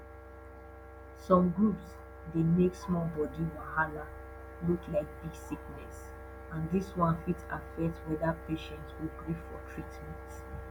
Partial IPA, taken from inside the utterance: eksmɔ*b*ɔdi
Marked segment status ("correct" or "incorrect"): correct